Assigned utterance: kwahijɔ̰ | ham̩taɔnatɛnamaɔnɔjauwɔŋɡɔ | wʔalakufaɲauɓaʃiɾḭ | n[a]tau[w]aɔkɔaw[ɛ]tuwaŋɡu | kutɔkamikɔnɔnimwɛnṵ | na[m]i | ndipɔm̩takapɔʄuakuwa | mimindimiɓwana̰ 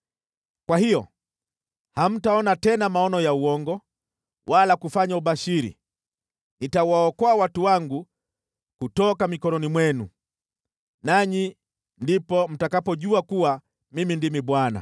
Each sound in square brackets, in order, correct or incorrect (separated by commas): incorrect, correct, incorrect, incorrect